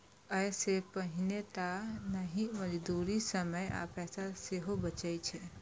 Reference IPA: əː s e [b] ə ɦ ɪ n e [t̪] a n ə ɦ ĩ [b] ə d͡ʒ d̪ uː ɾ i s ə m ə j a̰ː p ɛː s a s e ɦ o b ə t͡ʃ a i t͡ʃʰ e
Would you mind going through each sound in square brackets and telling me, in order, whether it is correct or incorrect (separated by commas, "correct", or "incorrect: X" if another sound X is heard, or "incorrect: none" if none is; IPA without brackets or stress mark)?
incorrect: p, correct, incorrect: m